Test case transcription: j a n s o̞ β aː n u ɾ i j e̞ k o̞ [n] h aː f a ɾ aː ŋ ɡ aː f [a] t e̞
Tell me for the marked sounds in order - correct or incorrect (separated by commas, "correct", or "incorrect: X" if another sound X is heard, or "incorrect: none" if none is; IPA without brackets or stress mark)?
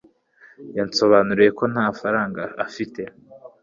correct, incorrect: i